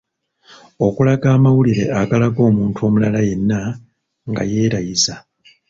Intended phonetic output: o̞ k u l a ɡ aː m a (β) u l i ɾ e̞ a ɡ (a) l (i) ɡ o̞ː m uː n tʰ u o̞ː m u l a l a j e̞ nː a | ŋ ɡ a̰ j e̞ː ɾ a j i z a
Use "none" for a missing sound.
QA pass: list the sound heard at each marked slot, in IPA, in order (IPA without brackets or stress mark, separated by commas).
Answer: w, a, a